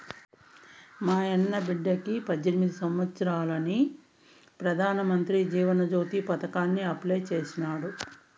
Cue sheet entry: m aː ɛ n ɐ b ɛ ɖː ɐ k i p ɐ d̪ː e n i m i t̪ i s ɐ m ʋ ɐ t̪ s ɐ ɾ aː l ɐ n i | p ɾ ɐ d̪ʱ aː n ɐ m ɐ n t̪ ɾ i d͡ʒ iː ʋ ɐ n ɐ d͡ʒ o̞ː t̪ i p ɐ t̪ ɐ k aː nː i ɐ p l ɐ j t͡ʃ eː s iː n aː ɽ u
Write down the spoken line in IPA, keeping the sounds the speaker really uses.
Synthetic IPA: m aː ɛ nː ɐ b i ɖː ɐ k i p ɐ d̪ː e n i m i d̪ i s ɐ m ʋ ɐ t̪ s ɐ ɾ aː l ɐ n i | p ɾ ɐ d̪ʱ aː n ɐ m ɐ n t̪ ɾ i d͡ʒ iː ʋ ɐ n ɐ d͡ʒ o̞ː t̪ i p ɐ t̪ ɐ k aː nː i ɐ p l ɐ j t͡ʃ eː s i n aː ɽ u

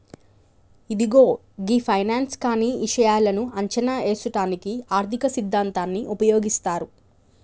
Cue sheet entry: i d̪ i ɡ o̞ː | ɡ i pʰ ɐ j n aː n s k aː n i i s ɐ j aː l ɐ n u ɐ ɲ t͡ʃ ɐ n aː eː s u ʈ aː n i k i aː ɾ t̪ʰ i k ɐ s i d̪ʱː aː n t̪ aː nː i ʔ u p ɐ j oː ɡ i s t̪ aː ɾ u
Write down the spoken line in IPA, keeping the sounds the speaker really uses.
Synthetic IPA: i d̪ i ɡ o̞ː | ɡ i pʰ ɐ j n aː n s k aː n i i ʂ ɐ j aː l ɐ n u ɐ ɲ t͡ʃ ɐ n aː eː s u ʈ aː n i k i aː ɾ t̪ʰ i k ɐ s i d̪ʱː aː n t̪ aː nː i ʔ u p ɐ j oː ɡ i s t̪ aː ɾ u

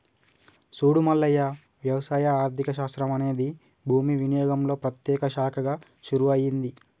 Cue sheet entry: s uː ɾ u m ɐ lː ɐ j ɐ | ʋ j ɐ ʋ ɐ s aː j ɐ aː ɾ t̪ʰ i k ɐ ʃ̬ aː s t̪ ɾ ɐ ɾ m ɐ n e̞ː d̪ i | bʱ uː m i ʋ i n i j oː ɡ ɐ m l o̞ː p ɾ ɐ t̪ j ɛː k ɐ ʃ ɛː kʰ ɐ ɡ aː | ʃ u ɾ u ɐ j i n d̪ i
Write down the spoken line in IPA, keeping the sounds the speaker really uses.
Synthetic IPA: s uː ɽ u m ɐ lː ɐ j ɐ | ʋ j ɐ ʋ ɐ s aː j ɐ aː ɾ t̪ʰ i k ɐ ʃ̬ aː s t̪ ɾ ɐ m ɐ n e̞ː d̪ i | bʱ uː m i ʋ i n i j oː ɡ ɐ m l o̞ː p ɾ ɐ t̪ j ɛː k ɐ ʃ aː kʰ ɐ ɡ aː | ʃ u ɾ u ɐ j i n d̪ i

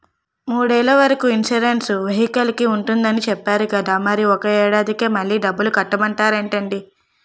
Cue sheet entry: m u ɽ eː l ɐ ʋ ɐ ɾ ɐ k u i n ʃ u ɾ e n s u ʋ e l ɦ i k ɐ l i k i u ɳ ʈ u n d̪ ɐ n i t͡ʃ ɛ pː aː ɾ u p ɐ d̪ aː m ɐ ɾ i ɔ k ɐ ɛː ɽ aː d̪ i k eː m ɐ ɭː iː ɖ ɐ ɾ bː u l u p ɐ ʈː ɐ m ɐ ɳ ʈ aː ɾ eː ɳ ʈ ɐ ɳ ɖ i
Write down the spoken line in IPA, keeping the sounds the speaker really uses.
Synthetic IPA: m uː ɽ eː l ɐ ʋ ɐ ɾ ɐ k u i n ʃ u ɾ e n s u ʋ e ɦ i k ɐ l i k i u ɳ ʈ u n d̪ ɐ n i t͡ʃ ɛ pː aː ɾ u k ɐ d̪ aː m ɐ ɾ i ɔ k ɐ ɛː ɽ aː d̪ i k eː m ɐ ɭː iː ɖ ɐ bː u l u k ɐ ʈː ɐ m ɐ ɳ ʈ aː ɾ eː ɳ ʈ ɐ ɳ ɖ i

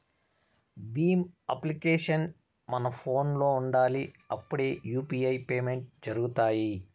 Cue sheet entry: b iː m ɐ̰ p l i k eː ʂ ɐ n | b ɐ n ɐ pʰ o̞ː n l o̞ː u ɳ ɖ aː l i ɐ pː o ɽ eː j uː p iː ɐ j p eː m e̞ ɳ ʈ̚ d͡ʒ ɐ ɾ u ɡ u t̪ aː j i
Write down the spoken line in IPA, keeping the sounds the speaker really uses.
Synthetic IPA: b iː m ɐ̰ p l i k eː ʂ ɐ n | m ɐ n ɐ pʰ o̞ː n l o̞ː u ɳ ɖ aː l i ɐ pː u ɽ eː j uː p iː ɐ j p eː m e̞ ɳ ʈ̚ d͡ʒ ɐ ɾ u ɡ u t̪ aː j i

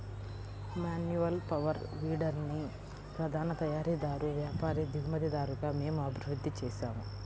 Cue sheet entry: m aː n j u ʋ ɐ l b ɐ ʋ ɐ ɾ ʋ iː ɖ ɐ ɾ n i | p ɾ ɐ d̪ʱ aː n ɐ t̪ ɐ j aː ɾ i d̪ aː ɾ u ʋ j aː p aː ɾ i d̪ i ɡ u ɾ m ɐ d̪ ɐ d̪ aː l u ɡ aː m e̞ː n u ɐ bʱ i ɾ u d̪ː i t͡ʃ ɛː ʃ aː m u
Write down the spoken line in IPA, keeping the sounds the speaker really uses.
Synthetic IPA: m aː n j u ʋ ɐ l p ɐ ʋ ɐ ɾ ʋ iː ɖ ɐ ɾ n i | p ɾ ɐ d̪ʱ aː n ɐ t̪ ɐ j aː ɾ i d̪ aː ɾ u ʋ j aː p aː ɾ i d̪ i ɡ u m ɐ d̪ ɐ d̪ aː ɾ u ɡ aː m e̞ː m u ɐ bʱ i ɾ u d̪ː i t͡ʃ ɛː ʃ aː m u

